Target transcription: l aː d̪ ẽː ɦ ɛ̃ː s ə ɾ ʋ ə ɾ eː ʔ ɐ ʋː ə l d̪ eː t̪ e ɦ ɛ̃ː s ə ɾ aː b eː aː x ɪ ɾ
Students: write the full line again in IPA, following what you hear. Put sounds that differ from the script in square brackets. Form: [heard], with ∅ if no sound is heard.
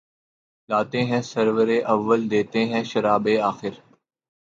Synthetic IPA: l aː [t̪] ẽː ɦ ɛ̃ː s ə ɾ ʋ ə ɾ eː ʔ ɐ ʋː ə l d̪ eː t̪ e ɦ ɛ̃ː [ʃ] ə ɾ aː b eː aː x ɪ ɾ